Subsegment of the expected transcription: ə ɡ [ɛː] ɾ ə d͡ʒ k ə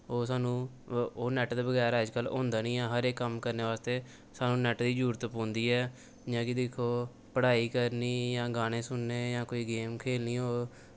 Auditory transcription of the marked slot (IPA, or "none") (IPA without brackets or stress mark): ɛː